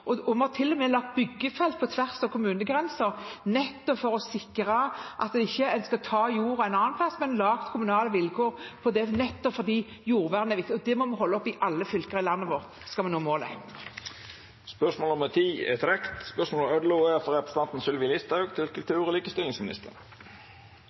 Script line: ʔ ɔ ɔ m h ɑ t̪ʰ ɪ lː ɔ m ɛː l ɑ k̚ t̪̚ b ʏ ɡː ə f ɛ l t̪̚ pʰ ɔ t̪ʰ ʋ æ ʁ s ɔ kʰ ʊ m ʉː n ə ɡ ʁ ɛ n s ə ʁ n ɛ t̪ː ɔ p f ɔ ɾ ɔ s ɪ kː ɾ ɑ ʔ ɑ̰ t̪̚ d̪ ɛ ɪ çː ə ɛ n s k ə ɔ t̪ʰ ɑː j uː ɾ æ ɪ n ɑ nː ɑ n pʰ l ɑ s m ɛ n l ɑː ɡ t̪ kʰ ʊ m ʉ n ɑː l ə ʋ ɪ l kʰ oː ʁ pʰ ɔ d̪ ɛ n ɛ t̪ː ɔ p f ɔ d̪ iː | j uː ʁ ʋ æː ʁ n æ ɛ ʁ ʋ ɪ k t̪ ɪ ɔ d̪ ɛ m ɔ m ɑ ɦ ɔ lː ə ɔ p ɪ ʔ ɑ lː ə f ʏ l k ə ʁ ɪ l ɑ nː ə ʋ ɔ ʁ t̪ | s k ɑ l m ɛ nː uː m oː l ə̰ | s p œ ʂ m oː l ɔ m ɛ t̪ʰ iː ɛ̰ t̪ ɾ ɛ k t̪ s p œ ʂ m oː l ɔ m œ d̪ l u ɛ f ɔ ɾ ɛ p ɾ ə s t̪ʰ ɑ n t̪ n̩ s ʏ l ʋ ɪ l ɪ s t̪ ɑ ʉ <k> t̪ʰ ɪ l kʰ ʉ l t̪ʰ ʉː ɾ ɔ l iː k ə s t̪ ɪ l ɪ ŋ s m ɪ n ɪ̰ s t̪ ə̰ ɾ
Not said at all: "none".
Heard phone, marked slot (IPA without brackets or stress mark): ɡ